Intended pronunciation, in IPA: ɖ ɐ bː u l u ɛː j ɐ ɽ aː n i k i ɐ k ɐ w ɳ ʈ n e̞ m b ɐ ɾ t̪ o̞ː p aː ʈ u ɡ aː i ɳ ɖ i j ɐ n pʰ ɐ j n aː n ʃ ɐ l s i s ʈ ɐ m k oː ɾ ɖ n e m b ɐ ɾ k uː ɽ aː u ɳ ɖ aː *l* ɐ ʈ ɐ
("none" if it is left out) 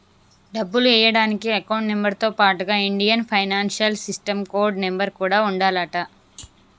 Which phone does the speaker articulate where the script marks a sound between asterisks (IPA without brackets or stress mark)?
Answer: l